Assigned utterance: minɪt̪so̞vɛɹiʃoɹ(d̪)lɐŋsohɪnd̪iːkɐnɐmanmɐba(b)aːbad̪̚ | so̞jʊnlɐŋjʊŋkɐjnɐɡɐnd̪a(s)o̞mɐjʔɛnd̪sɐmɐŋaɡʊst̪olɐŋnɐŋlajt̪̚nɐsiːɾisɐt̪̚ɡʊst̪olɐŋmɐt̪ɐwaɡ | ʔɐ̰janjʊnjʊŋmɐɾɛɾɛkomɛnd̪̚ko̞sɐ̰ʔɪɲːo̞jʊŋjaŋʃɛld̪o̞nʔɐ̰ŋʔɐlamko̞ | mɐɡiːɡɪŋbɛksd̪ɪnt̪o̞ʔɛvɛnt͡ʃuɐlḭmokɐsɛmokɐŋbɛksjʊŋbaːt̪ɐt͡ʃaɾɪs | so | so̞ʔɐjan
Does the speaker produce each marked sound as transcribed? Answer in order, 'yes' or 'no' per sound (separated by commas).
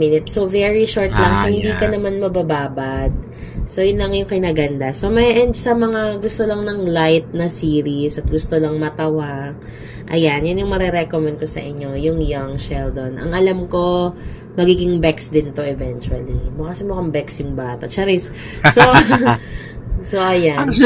no, yes, yes